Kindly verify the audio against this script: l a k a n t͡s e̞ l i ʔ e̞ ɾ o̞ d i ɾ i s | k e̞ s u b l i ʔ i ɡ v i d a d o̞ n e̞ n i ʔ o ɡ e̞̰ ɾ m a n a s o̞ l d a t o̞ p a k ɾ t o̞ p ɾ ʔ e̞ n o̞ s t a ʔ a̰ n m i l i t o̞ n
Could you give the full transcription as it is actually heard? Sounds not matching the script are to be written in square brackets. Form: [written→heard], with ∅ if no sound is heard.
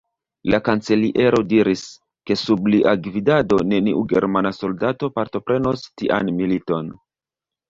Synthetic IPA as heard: l a k a n t͡s e̞ l i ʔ e̞ ɾ o̞ d i ɾ i s | k e̞ s u b l i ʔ [i→a] ɡ v i d a d o̞ n e̞ n i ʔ [o→u] ɡ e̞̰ ɾ m a n a s o̞ l d a t o̞ p a [k→∅] ɾ t o̞ p ɾ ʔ e̞ n o̞ s t [a→i] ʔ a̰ n m i l i t o̞ n